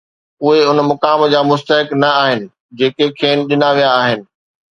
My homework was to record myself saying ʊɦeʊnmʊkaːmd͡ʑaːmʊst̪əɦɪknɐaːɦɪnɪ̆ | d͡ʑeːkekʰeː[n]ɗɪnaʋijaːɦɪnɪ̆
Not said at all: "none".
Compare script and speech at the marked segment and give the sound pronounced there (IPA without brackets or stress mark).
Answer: n